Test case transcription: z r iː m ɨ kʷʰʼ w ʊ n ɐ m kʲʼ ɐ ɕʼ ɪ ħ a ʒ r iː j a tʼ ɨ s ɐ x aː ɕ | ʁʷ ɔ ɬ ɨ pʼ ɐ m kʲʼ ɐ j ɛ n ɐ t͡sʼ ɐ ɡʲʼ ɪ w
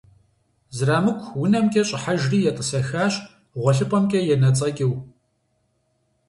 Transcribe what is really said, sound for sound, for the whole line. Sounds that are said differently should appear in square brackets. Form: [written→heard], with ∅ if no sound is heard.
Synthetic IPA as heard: z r [iː→aː] m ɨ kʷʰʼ w ʊ n ɐ m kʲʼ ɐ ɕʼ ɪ ħ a ʒ r iː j [a→ɛ] tʼ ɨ s ɐ x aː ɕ | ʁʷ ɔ ɬ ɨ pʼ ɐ m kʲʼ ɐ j ɛ n ɐ t͡sʼ ɐ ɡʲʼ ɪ w